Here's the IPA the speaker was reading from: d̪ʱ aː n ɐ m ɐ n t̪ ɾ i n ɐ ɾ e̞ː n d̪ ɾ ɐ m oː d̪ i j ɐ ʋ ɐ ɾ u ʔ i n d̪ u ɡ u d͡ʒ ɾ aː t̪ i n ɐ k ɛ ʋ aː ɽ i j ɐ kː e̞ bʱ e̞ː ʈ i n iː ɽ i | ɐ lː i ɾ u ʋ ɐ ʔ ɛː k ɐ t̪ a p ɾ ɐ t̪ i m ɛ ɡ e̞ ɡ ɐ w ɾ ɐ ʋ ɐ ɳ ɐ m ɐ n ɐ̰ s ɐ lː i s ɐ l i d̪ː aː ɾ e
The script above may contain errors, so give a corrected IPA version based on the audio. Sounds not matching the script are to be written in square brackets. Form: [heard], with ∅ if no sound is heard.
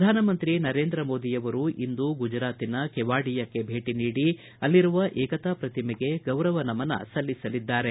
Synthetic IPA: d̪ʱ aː n ɐ m ɐ n t̪ ɾ i n ɐ ɾ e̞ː n d̪ ɾ ɐ m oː d̪ i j ɐ ʋ ɐ ɾ u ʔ i n d̪ u ɡ u d͡ʒ ɾ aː t̪ i n ɐ k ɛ ʋ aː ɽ i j ɐ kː e̞ bʱ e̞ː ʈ i n iː ɽ i | ɐ lː i ɾ u ʋ ɐ ʔ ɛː k ɐ t̪ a p ɾ ɐ t̪ i m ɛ ɡ e̞ ɡ ɐ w ɾ ɐ ʋ ɐ [n] ɐ m ɐ n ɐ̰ s ɐ lː i s ɐ l i d̪ː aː ɾ e